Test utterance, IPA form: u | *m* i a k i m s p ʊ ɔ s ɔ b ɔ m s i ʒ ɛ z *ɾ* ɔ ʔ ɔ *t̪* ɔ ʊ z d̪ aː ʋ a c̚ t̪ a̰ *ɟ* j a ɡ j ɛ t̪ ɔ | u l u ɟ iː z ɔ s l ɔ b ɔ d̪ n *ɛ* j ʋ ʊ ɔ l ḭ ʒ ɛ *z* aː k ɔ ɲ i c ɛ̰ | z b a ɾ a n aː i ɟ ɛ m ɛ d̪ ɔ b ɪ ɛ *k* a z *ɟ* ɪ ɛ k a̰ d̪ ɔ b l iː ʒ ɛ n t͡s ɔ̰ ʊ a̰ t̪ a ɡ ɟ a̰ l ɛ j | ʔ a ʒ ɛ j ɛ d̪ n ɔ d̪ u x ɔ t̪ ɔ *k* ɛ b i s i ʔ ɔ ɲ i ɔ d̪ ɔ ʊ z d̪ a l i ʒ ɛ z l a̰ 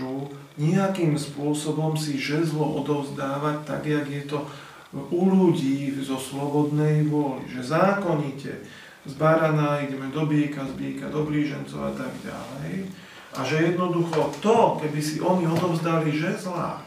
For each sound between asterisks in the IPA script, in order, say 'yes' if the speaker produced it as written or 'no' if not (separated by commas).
no, no, no, no, yes, yes, yes, no, yes